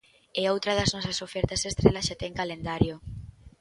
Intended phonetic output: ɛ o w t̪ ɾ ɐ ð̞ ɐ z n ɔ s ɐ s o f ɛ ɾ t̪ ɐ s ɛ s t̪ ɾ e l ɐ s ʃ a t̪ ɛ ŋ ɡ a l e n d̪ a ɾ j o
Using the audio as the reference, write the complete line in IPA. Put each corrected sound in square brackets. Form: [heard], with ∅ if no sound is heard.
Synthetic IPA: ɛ o w t̪ ɾ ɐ ð̞ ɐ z n ɔ s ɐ s o f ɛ ɾ t̪ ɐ s [e] s t̪ ɾ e l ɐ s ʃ a t̪ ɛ ŋ [k] a l e n d̪ a ɾ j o

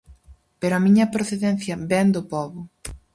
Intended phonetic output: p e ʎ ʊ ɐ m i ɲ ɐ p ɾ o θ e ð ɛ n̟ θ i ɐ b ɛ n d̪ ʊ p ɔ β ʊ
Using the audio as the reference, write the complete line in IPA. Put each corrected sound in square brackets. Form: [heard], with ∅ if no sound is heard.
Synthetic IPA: p e [ɾ] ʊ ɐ m i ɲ ɐ p ɾ o θ e ð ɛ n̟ θ [j] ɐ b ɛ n d̪ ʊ p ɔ β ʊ

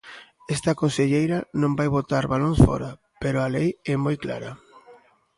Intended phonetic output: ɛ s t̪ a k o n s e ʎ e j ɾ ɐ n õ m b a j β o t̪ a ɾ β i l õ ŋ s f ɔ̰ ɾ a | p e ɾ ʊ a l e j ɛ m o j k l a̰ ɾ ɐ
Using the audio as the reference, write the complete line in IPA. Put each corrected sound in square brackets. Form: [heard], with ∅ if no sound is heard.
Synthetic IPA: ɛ s t̪ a k o n s e ʎ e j ɾ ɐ n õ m b a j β o t̪ a ɾ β [a] l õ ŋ s f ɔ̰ ɾ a | p e ɾ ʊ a l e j ɛ m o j k l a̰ ɾ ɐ

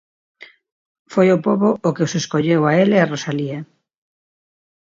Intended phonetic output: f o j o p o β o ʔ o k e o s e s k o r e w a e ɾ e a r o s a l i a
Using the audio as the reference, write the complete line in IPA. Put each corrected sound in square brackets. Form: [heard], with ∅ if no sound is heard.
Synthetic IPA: f o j o p o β o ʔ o k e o s e s k o [ʎ] e w a e [l] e a r o s a l i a

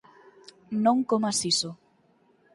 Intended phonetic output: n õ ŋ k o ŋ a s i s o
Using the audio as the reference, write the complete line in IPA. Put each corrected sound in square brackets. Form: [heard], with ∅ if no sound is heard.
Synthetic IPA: n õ ŋ k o [m] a s i s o

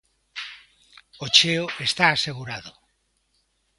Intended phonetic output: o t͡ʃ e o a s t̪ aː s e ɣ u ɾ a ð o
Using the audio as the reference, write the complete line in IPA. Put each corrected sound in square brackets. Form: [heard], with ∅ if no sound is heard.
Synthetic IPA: o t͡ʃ e o [e] s t̪ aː s e ɣ u ɾ a ð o

